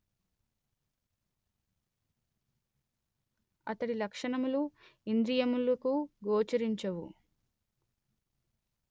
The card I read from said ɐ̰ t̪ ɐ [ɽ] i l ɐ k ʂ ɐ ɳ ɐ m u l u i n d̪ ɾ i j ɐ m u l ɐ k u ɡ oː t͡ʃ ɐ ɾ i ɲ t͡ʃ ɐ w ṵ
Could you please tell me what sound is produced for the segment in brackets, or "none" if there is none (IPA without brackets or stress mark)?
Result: ɽ